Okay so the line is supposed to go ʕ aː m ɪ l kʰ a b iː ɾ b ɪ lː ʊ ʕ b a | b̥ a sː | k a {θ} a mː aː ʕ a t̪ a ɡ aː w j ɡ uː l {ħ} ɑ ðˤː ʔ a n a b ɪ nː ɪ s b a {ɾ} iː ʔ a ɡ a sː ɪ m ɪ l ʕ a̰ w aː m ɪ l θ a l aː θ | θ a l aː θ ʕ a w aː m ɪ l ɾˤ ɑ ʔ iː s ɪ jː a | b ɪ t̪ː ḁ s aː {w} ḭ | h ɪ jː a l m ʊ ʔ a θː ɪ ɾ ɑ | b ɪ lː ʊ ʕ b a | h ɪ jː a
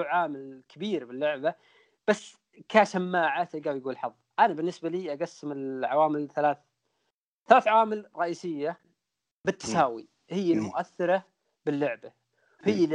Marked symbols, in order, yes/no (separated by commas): no, yes, no, yes